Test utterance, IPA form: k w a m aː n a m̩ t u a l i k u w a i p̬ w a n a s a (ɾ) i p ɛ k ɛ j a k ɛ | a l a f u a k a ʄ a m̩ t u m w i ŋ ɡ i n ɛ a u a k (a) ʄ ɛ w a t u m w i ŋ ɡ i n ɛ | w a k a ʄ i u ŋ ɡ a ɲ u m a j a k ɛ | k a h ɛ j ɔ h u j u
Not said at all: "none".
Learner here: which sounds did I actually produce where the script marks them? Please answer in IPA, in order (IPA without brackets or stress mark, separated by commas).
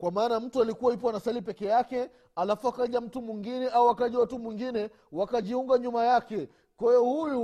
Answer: l, a